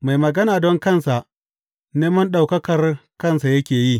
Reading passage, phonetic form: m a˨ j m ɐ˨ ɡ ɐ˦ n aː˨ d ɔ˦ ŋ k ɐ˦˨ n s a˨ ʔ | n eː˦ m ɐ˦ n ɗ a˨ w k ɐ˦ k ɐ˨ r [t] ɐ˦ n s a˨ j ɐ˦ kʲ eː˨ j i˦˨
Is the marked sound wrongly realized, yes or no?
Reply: yes